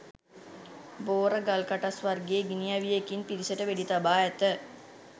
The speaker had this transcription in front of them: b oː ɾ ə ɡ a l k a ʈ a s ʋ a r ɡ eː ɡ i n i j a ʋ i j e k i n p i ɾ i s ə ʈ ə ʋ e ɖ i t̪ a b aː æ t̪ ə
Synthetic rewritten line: b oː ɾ ə ɡ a l k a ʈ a s ʋ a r ɡ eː ɡ i n i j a ʋ i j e k i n p i ɾ i s ə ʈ ə ʋ e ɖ i t̪ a b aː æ t̪ ə

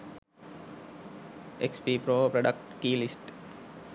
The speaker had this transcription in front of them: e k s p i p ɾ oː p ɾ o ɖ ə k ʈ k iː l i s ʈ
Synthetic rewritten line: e k s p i p ɾ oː p ɾ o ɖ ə k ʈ k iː l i s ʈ

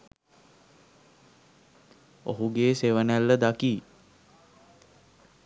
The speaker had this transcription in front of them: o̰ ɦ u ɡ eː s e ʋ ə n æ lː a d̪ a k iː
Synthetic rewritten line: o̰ ɦ u ɡ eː s e ʋ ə n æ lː ə d̪ a k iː

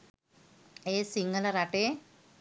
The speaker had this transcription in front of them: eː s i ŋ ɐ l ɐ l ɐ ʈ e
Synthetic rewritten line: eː s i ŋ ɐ l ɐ ɾ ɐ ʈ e

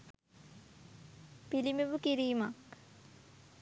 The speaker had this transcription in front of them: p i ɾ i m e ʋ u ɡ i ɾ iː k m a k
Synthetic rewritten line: p i l i m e ʋ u k i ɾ iː m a k

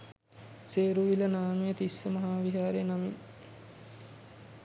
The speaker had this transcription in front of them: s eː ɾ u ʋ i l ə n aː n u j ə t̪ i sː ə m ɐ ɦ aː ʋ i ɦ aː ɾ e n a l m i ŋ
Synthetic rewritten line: s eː ɾ u ʋ i l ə n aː n u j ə t̪ i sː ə m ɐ ɦ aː ʋ i ɦ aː ɾ e n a m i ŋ

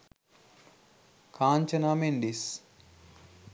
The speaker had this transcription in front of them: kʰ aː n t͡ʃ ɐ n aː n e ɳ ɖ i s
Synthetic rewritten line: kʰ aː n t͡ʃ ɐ n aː m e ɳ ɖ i s

